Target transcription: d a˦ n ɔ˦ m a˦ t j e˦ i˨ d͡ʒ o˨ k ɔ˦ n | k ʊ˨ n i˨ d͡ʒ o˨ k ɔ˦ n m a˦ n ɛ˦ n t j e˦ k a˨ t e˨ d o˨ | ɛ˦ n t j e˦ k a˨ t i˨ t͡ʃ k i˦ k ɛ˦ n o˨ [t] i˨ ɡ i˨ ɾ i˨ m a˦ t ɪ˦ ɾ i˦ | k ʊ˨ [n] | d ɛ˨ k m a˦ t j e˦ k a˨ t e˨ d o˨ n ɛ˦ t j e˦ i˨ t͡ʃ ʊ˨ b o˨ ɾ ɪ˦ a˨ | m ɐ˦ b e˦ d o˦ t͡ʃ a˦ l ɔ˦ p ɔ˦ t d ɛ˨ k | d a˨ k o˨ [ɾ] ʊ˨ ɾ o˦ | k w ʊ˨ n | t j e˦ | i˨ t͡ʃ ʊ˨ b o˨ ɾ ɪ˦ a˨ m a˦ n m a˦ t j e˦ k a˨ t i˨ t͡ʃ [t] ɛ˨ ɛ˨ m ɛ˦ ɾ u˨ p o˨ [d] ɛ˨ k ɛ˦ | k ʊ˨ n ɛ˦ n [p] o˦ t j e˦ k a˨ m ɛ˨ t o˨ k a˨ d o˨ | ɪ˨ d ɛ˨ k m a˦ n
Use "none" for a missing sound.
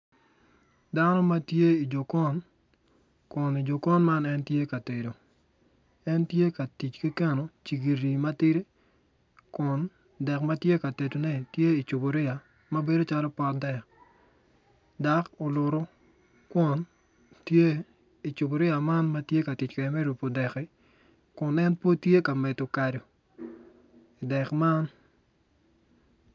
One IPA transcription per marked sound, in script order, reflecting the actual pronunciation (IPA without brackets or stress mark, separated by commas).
t͡ʃ, n, l, k, d, p